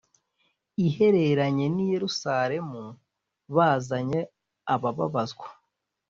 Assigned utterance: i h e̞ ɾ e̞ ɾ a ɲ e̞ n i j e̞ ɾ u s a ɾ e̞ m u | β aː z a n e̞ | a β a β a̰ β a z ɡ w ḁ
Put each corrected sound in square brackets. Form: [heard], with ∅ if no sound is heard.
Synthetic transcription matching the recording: i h e̞ ɾ e̞ ɾ a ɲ e̞ n i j e̞ ɾ u s a ɾ e̞ m u | β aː z a [ɲ] e̞ | a β a β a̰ β a z ɡ w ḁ